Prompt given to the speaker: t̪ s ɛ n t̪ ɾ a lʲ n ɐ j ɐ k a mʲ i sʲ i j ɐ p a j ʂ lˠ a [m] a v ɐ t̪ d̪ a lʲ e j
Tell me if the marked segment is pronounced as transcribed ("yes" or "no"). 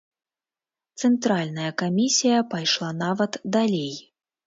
no